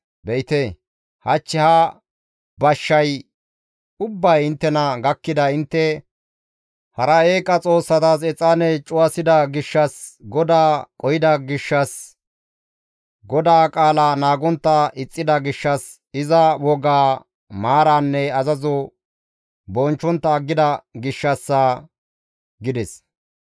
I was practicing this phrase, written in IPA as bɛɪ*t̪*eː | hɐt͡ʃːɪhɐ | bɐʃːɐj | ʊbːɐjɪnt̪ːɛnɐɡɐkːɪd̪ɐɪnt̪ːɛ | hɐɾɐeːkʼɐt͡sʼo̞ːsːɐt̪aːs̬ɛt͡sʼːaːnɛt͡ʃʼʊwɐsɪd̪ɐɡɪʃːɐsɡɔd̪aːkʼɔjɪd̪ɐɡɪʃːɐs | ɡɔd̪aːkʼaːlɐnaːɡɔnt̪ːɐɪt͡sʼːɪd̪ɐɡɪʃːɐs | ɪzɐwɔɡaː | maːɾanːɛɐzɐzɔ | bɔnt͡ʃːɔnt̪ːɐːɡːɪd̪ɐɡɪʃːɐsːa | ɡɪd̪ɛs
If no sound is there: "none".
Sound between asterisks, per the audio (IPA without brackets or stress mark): t̪